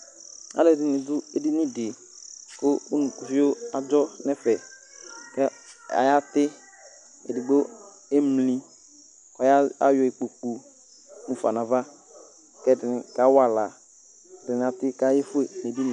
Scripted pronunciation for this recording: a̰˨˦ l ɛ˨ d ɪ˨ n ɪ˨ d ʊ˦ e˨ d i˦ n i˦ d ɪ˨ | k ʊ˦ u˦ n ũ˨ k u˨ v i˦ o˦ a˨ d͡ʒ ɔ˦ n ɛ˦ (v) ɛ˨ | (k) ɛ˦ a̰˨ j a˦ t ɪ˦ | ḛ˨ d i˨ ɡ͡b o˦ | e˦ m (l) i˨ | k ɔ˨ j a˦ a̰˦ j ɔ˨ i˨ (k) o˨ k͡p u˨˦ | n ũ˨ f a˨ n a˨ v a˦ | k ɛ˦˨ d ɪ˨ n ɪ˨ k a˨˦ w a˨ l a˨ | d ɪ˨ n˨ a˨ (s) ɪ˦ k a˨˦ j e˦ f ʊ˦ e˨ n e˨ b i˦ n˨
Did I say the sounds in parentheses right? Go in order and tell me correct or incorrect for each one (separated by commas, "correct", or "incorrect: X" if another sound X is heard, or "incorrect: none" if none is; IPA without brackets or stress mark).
incorrect: f, correct, correct, incorrect: k͡p, incorrect: t